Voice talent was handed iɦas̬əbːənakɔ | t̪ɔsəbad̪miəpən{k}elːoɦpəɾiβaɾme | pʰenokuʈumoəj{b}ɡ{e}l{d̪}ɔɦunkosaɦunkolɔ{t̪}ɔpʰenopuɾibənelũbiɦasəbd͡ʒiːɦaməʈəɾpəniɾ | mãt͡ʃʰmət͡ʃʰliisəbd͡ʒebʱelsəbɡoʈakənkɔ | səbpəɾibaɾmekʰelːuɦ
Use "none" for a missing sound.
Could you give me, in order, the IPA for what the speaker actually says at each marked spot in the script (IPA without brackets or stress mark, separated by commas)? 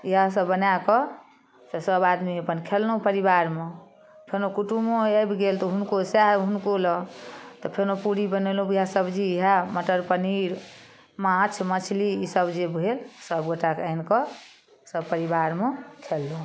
kʰ, b, e, t̪, t̪